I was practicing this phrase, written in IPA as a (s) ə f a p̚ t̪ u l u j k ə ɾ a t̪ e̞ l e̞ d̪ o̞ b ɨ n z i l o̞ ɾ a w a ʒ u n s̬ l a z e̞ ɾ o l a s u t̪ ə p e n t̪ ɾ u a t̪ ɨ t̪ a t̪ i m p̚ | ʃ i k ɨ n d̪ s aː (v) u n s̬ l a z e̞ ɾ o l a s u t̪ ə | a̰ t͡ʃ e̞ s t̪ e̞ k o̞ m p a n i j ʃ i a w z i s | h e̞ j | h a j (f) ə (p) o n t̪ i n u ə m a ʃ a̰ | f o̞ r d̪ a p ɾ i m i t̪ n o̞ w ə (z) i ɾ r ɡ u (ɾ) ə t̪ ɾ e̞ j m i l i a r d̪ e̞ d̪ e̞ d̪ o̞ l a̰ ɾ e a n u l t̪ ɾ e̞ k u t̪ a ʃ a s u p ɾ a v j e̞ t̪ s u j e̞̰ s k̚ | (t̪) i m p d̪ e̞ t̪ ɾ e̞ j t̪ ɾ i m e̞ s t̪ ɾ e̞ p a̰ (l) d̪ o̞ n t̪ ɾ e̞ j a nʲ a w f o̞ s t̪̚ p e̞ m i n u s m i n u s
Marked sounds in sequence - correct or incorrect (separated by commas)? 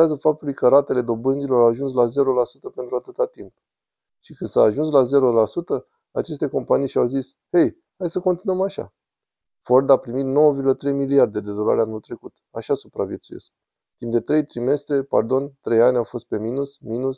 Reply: incorrect, incorrect, incorrect, incorrect, incorrect, incorrect, correct, incorrect